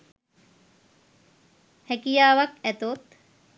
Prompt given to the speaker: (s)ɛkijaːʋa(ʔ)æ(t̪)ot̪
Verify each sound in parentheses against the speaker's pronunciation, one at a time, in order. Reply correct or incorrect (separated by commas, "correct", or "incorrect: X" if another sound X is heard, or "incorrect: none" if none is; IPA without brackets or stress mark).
incorrect: h, incorrect: k, correct